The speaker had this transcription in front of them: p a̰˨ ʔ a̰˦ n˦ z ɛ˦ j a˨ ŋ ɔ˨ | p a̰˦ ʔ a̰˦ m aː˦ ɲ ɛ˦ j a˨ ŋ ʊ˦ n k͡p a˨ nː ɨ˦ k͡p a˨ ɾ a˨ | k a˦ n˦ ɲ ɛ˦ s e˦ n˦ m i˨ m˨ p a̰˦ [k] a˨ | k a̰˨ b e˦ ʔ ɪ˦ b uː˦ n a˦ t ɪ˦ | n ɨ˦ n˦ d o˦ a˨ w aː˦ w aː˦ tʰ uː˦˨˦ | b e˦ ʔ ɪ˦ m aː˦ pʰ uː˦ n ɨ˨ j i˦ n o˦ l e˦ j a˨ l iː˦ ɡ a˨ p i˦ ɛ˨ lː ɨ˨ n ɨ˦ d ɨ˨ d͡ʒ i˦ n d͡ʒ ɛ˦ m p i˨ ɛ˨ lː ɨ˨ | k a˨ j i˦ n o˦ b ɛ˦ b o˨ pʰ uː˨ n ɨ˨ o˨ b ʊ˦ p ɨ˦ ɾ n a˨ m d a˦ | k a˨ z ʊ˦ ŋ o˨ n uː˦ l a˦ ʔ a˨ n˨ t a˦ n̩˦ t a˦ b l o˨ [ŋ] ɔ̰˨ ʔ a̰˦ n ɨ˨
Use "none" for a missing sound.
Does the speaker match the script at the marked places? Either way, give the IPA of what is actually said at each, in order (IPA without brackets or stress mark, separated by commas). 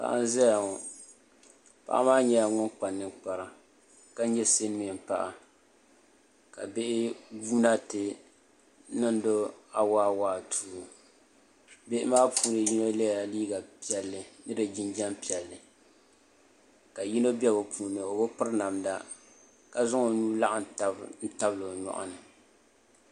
ʔ, ɲ